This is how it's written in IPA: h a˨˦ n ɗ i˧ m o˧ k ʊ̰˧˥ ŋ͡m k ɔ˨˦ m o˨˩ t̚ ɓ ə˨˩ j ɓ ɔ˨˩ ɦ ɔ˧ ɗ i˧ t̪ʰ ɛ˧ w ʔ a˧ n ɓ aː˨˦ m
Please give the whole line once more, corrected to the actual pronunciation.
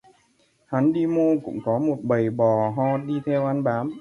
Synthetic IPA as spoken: h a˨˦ n ɗ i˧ m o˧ k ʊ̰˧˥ ŋ͡m k ɔ˨˦ m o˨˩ t̚ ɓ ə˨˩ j ɓ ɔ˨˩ ɦ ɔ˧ ɗ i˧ t̪ʰ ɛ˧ w ʔ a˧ n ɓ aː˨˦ m